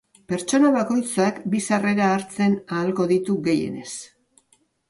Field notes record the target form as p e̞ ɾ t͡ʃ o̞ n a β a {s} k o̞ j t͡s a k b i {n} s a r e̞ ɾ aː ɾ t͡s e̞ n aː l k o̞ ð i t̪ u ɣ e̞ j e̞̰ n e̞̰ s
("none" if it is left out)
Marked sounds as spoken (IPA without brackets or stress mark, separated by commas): none, none